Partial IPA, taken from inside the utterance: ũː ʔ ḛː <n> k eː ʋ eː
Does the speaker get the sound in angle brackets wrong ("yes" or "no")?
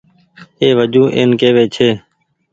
no